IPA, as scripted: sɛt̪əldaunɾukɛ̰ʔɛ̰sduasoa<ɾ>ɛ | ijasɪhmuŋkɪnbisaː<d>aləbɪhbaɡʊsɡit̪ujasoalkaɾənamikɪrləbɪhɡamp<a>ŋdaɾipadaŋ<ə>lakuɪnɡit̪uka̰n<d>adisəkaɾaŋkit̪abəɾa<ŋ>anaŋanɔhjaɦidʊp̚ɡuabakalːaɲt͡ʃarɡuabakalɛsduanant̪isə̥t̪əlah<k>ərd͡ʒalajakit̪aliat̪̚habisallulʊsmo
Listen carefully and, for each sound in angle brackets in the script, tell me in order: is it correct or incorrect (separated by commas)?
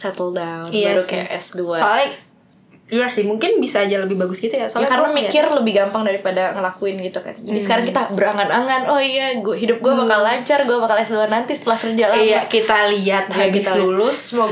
incorrect, incorrect, correct, correct, incorrect, correct, correct